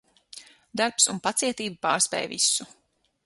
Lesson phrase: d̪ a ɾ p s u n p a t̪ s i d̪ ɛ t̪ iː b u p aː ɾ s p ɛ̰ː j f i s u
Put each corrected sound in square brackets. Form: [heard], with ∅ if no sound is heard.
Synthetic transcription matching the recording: d̪ a ɾ p s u n p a t̪ s i [∅] ɛ t̪ iː b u p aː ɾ s p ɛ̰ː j [v] i s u